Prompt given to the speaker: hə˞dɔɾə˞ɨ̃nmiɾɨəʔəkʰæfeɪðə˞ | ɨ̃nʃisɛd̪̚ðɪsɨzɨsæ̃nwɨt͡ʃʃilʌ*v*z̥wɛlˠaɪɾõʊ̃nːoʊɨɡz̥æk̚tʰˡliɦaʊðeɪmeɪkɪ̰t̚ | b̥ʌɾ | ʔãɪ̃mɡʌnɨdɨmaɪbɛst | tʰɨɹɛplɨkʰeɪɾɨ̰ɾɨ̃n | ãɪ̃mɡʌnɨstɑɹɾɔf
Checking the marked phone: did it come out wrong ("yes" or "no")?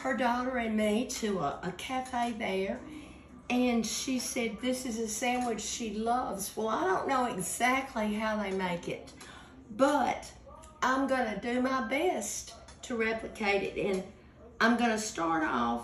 no